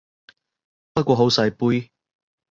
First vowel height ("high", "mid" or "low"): low